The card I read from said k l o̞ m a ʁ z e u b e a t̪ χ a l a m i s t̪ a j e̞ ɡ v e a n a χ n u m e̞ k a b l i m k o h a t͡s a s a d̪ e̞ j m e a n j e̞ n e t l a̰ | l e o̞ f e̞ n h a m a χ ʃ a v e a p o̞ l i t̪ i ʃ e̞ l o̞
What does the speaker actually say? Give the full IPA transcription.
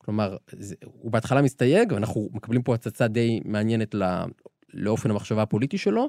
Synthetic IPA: k l o̞ m a ʁ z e u b e a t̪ χ a l a m i s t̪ a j e̞ ɡ v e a n a χ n u m e̞ k a b l i m p o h a t͡s a t͡s a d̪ e̞ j m e a n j e̞ n e t l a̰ | l e o̞ f e̞ n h a m a χ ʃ a v a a p o̞ l i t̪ i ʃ e̞ l o̞